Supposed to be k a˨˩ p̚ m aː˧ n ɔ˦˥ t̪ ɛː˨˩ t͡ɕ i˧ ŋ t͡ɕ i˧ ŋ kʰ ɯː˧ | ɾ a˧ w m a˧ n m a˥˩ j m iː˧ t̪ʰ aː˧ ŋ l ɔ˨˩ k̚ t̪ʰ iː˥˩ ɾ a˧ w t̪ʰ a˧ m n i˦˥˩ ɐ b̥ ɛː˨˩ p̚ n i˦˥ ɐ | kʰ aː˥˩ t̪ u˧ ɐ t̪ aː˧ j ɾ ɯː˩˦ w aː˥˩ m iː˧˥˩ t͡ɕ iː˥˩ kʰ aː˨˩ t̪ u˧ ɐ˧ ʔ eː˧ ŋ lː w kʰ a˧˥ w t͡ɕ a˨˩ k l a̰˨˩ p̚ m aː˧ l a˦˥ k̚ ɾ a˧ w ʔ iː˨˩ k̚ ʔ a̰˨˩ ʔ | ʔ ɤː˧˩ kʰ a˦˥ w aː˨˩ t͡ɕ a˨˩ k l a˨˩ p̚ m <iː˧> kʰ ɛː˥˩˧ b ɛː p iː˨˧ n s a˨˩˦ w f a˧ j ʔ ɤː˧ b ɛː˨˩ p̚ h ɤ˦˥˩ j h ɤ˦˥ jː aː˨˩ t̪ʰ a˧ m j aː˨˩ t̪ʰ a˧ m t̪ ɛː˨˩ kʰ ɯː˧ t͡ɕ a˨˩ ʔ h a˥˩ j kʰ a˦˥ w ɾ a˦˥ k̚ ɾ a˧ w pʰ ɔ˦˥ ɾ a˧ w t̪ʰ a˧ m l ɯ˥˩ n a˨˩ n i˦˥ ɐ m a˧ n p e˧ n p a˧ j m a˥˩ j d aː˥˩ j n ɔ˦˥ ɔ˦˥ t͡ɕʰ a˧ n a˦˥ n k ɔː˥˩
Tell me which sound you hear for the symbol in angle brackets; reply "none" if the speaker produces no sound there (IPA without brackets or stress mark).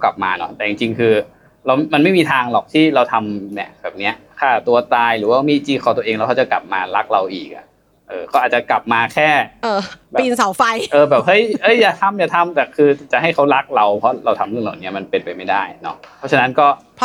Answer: aː˧